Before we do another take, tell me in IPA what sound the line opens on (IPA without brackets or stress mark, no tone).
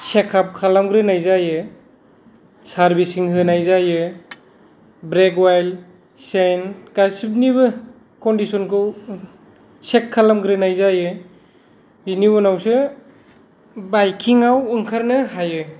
s